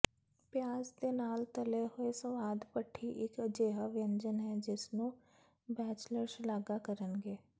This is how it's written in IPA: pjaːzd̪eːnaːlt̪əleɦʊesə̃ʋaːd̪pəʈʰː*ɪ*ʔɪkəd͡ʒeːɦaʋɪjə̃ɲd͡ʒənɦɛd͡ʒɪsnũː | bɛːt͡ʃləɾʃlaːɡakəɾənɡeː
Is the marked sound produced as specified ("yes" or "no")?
no